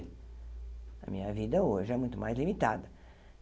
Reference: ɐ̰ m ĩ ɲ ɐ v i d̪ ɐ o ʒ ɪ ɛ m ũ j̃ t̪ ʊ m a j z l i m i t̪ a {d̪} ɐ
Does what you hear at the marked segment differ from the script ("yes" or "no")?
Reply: no